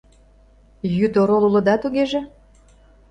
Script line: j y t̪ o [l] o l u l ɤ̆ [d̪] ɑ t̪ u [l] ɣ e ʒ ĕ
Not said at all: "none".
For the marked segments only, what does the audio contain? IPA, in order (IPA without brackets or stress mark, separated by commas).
ɾ, d̪, none